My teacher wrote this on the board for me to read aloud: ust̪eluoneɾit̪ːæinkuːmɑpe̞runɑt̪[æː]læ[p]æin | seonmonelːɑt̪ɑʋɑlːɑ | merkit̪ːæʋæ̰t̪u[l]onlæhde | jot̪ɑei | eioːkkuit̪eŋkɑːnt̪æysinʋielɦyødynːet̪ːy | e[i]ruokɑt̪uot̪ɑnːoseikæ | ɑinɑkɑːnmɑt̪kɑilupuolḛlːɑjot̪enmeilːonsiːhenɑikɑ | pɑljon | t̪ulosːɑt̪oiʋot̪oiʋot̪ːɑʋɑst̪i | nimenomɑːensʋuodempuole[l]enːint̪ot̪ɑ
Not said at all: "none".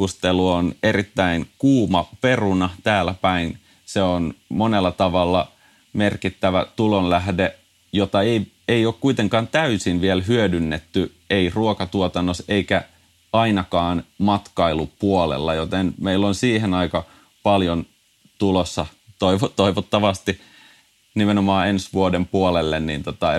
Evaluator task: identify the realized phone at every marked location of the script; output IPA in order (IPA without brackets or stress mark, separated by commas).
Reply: æː, p, l, i, lː